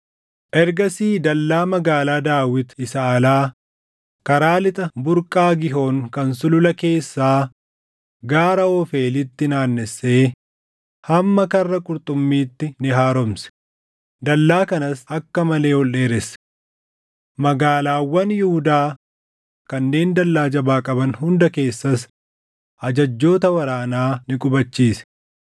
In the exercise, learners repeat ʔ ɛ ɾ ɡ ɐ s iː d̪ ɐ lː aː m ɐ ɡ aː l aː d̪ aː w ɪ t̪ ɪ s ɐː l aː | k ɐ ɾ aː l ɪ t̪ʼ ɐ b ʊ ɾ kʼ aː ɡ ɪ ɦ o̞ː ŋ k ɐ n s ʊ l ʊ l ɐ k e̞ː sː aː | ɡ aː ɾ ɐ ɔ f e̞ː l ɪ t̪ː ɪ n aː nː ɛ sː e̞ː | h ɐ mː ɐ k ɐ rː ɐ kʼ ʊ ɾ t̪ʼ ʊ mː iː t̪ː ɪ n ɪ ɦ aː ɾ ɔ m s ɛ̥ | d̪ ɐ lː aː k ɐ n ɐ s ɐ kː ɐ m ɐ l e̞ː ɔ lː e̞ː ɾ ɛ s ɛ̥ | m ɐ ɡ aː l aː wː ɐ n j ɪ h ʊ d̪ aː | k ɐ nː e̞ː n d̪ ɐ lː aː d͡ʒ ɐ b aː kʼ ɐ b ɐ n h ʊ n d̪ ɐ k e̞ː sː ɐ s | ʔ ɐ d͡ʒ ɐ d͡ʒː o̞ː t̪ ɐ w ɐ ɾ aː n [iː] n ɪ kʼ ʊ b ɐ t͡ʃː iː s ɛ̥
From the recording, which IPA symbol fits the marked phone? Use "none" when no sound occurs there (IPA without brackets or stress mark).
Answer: aː